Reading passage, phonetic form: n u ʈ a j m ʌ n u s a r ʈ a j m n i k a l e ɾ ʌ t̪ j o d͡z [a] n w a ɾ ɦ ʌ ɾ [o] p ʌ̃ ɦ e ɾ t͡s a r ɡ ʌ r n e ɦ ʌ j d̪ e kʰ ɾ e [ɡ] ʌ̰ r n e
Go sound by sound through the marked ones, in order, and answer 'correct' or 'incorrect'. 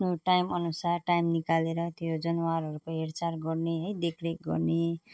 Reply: incorrect, incorrect, correct

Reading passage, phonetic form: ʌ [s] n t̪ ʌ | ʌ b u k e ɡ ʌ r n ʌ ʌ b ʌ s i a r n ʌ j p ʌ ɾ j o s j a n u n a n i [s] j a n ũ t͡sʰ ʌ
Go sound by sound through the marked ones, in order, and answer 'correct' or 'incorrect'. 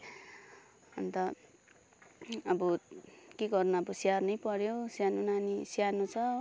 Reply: incorrect, correct

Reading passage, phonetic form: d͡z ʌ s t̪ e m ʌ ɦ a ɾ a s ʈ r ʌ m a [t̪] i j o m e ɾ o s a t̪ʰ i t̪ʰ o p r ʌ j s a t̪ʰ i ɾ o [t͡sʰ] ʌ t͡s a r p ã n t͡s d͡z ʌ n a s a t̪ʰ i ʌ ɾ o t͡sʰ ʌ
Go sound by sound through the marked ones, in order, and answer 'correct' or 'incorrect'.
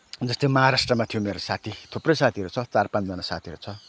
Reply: incorrect, correct

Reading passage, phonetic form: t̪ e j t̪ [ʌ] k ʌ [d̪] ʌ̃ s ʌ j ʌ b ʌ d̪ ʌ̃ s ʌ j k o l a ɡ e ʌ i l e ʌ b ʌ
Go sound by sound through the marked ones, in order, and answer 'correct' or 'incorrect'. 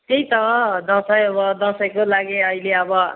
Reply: correct, correct

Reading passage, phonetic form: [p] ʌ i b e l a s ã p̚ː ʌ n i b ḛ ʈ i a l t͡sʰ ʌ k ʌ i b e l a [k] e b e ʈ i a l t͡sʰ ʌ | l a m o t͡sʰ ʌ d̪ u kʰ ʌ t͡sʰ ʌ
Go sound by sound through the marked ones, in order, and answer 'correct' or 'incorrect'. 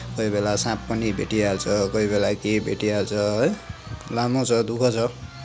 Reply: incorrect, correct

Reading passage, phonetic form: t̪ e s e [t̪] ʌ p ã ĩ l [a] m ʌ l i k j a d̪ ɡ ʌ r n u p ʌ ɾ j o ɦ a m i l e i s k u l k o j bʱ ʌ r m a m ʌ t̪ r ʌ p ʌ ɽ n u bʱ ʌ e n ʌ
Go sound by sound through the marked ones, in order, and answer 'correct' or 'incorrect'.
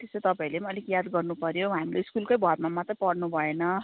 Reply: correct, incorrect

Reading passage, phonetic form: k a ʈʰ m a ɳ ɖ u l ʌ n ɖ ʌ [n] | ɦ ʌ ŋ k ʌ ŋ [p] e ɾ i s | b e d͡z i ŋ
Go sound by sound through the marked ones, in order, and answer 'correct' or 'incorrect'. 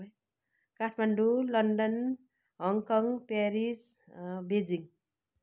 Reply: correct, correct

